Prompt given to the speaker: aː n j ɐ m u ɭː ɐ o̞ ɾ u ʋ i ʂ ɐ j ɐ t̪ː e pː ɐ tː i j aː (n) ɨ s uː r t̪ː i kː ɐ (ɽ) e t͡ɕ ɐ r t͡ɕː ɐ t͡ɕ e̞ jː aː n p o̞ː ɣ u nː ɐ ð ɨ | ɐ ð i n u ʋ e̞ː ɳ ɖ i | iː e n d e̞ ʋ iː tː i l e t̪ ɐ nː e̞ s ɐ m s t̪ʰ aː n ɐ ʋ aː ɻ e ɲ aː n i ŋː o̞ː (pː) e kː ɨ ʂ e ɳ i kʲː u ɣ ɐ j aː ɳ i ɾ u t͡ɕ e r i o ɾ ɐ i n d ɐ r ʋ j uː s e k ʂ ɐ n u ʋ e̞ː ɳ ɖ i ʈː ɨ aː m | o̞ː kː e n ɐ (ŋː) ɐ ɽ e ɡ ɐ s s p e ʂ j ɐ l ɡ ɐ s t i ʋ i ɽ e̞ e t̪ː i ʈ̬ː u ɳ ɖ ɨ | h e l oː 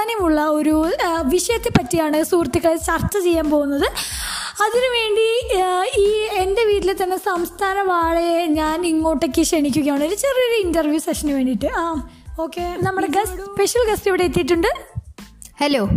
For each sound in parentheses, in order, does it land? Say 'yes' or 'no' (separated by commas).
no, no, no, no